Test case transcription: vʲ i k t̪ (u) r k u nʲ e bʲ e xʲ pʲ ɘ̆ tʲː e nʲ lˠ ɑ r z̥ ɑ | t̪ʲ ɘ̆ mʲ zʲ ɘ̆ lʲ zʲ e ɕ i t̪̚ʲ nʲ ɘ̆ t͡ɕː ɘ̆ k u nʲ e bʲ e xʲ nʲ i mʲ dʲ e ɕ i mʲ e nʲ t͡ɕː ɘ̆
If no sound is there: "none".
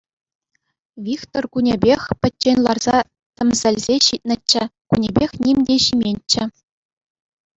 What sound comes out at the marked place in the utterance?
o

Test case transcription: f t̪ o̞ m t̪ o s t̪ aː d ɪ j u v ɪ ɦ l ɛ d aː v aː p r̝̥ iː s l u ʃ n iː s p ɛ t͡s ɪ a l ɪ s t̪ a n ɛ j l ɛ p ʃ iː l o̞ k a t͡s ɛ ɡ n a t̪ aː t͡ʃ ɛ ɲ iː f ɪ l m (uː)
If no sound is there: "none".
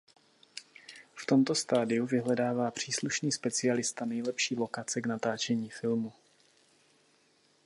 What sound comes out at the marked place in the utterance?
u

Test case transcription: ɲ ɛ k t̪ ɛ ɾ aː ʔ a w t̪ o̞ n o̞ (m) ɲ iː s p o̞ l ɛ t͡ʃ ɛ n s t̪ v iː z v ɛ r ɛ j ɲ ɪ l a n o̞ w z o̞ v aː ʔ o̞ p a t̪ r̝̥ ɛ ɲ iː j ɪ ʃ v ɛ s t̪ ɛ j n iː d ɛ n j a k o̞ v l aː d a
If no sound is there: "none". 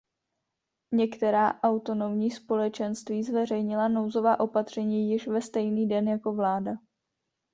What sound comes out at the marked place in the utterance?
m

